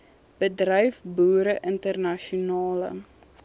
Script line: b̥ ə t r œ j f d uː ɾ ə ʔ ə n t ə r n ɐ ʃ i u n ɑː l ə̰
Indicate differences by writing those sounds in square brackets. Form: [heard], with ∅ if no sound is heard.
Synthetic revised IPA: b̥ ə [d] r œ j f [b] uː ɾ ə ʔ ə n t ə r n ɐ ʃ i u n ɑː l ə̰